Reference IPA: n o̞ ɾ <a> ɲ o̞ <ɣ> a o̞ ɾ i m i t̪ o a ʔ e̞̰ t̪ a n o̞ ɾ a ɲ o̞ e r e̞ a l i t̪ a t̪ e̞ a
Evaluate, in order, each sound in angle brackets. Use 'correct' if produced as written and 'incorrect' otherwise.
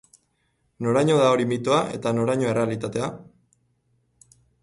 correct, incorrect: ð

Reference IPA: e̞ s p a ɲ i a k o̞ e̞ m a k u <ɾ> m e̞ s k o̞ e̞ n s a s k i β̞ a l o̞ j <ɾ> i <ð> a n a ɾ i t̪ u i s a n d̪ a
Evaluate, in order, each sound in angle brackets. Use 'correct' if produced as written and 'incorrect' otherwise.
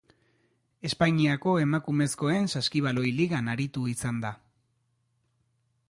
incorrect: none, incorrect: l, incorrect: ɣ

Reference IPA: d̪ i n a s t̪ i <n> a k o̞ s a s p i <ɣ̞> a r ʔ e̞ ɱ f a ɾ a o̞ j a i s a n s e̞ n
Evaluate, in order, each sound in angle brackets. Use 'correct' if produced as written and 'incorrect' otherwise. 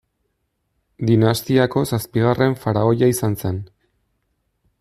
incorrect: none, correct

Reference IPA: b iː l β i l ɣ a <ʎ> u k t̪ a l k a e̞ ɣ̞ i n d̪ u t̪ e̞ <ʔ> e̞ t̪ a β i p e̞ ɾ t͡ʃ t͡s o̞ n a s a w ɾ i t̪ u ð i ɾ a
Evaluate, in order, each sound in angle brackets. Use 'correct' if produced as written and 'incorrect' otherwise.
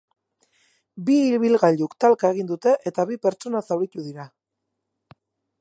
correct, correct

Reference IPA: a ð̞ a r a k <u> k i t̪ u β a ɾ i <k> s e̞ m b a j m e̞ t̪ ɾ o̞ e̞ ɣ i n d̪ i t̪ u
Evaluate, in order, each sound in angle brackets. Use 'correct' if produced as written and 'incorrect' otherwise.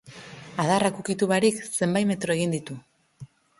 correct, correct

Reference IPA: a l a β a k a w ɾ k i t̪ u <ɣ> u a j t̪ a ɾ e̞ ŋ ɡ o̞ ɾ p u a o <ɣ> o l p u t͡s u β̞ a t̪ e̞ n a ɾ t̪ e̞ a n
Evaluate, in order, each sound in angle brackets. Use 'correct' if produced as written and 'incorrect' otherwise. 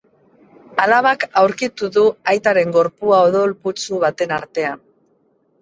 incorrect: ð, incorrect: ð

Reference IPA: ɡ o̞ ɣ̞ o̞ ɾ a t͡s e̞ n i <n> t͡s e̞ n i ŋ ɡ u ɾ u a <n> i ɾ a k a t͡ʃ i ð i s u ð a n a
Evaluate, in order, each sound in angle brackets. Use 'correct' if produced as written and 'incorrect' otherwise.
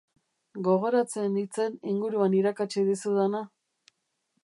incorrect: none, correct

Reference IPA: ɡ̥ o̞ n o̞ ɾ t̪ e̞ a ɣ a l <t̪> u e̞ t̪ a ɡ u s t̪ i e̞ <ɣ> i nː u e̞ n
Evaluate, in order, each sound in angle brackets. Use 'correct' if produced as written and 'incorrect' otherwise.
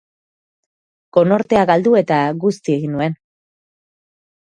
incorrect: d̪, correct

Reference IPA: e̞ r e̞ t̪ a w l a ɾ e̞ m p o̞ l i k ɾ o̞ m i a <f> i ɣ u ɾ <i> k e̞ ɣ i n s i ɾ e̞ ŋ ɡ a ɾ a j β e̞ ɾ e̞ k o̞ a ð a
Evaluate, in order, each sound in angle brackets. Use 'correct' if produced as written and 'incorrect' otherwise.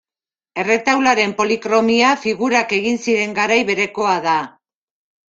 correct, incorrect: a

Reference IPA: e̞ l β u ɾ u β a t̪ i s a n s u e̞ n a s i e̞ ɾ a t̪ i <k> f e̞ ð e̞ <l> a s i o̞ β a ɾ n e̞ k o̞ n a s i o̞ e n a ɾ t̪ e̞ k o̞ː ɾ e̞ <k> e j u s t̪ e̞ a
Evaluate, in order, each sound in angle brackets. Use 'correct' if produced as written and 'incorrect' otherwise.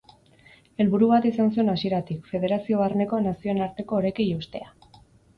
correct, incorrect: ɾ, correct

